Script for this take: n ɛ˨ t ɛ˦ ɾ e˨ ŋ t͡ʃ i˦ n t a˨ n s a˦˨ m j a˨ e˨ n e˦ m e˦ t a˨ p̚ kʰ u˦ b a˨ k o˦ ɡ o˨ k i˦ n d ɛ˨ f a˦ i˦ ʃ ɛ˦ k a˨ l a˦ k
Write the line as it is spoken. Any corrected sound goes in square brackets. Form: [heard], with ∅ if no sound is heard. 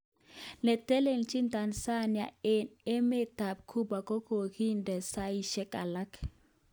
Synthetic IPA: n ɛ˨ t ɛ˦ [l] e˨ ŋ t͡ʃ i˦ n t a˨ n s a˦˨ [n] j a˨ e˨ n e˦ m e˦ t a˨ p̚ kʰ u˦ b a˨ k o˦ [k] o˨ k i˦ n d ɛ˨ [s] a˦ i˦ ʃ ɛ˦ k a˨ l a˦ k

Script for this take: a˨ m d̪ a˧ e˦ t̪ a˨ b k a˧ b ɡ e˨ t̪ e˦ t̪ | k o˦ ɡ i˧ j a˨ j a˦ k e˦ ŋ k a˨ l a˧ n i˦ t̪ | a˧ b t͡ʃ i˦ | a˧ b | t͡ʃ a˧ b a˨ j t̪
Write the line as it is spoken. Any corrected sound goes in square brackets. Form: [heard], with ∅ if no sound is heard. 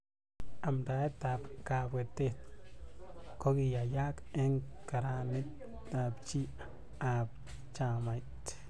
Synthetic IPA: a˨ m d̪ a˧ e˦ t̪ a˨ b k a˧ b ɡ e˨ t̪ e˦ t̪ | k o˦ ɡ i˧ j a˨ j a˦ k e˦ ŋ k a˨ [ɾ] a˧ n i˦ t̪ | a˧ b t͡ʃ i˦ | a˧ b | t͡ʃ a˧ [m] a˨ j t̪

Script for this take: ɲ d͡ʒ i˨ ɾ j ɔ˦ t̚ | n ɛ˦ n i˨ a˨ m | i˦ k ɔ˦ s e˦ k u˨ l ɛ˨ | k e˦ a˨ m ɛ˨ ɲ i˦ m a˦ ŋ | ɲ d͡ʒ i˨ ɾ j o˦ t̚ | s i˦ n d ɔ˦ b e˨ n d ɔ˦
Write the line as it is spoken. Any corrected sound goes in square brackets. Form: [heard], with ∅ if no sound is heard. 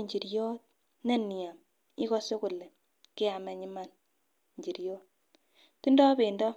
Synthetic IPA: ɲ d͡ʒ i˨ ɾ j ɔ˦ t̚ | n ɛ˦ n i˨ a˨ m | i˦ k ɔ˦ s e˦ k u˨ l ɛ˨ | k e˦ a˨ m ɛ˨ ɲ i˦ m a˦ [n] | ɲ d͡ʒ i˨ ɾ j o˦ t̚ | [t] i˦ n d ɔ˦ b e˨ n d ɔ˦

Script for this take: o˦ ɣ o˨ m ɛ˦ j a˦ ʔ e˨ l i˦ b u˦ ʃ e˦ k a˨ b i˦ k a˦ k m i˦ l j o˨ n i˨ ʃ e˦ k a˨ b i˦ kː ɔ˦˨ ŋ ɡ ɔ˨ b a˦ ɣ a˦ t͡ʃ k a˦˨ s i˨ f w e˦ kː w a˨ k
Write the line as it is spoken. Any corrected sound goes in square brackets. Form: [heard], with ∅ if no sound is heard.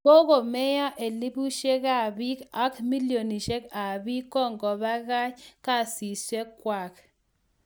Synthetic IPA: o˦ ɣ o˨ m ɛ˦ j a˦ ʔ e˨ l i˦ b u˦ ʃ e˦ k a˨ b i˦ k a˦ k m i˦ l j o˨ n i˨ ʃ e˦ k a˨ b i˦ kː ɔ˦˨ ŋ ɡ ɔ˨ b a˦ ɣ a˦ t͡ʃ k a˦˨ s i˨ [s] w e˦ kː w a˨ k

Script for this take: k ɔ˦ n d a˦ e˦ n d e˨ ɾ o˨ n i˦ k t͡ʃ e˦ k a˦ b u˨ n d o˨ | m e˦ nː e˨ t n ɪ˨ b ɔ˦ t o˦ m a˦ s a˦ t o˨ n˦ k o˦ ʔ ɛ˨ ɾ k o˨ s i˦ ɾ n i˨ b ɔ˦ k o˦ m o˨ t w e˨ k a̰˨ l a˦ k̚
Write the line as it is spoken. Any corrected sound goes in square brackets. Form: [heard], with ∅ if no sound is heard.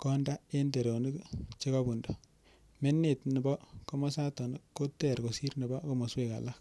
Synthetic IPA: k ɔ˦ n d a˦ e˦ n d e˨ ɾ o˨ n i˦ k t͡ʃ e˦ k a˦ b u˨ n d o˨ | m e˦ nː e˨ t n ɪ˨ b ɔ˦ [k] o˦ m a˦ s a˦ t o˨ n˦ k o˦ [t] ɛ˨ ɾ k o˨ s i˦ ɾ n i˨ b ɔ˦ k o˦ m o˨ [s] w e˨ k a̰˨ l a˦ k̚

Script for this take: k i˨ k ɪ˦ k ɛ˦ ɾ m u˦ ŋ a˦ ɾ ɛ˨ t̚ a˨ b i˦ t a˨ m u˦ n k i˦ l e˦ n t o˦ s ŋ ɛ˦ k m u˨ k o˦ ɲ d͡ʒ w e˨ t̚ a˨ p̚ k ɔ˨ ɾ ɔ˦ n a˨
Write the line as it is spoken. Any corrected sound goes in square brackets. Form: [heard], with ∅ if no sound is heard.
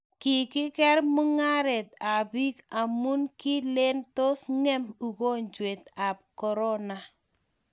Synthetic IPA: k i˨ k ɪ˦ k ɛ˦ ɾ m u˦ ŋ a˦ ɾ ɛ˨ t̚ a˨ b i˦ [k] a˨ m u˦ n k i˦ l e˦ n t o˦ s ŋ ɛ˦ [∅] m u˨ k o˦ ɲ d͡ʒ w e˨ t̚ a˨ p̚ k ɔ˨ ɾ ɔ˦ n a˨

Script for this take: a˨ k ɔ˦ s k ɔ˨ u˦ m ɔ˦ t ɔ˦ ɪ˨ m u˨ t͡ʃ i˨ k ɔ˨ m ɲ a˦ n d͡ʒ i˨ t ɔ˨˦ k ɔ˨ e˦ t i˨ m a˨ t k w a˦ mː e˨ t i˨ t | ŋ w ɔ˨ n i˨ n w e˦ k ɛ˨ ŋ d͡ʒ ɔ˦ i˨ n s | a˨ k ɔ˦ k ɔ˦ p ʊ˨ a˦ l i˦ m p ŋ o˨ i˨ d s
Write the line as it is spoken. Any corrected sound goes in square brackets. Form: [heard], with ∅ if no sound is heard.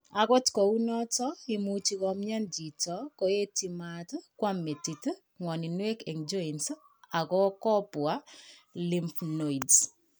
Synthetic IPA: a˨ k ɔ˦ [t] k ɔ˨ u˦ [n] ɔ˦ t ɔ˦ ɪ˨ m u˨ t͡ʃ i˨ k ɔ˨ m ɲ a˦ n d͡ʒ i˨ t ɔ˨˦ k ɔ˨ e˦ t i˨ m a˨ t k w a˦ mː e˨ t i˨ t | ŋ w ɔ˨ n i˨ n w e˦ k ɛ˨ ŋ d͡ʒ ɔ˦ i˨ n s | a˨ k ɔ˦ k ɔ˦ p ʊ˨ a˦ l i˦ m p [n] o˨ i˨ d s

